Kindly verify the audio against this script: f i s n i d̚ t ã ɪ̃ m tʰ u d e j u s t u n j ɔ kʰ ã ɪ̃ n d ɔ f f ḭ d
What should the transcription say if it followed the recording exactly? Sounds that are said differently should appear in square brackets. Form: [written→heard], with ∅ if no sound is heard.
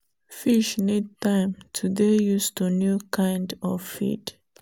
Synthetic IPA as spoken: f i [s→ʃ] n i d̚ t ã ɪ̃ m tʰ u d e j u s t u n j [ɔ→u] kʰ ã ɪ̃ n d ɔ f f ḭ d